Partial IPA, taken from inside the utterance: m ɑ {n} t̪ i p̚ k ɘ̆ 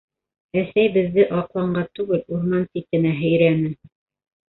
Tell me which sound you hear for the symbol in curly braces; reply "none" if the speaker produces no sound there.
n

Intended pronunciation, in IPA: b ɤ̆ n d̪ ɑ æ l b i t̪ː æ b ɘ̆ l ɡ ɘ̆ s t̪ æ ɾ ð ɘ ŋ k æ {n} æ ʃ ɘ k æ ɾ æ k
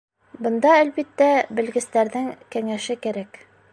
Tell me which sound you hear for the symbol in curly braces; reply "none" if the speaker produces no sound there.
ŋ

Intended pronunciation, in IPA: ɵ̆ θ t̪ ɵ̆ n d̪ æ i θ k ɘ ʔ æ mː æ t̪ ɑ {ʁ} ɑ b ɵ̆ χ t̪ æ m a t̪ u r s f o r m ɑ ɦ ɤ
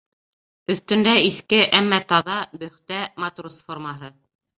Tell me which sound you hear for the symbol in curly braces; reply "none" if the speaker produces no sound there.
ð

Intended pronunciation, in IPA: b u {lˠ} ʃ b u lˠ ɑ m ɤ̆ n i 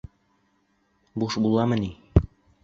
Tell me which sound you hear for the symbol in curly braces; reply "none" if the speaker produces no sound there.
none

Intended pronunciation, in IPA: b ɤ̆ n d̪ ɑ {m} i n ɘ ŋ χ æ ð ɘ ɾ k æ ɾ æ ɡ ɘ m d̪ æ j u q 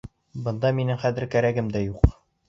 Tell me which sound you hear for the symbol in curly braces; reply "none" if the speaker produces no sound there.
m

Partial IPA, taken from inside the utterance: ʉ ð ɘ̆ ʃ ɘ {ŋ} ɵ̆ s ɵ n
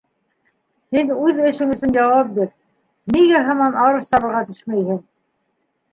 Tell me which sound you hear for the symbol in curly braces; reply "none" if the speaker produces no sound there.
ŋ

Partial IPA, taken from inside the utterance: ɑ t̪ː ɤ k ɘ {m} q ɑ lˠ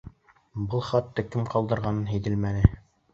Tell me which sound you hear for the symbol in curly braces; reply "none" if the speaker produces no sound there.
m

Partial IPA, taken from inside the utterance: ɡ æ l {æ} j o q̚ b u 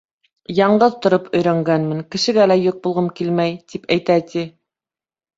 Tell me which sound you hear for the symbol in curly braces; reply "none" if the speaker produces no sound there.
æ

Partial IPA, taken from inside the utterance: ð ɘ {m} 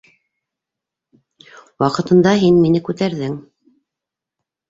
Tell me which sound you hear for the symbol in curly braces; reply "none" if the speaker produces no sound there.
ŋ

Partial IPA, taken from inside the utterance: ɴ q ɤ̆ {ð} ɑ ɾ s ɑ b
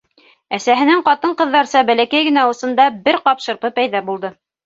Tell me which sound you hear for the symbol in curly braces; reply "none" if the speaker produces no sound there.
ðː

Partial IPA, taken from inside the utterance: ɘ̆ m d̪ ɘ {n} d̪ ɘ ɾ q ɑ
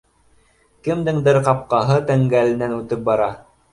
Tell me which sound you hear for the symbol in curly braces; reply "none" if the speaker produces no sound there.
ŋ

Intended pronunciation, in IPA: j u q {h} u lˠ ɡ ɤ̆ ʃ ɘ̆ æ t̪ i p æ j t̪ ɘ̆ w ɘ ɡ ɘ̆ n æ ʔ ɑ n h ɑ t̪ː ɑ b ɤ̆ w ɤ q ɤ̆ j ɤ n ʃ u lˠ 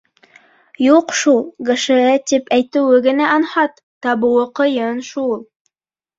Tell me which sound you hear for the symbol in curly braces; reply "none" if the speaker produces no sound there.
ʃ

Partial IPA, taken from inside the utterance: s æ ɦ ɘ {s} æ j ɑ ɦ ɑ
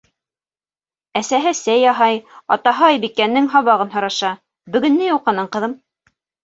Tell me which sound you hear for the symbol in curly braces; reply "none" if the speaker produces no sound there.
s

